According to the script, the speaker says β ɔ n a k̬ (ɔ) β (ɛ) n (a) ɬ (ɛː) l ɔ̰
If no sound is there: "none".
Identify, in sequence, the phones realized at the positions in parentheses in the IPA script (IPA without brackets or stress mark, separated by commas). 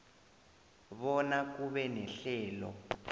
u, ɛ, ɛ, ɛː